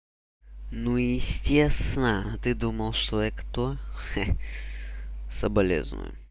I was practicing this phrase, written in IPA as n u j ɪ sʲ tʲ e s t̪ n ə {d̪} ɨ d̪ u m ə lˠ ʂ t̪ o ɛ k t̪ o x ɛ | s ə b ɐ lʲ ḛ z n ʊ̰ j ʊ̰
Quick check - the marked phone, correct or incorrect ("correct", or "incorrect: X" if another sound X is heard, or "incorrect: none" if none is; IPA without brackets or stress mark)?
incorrect: t̪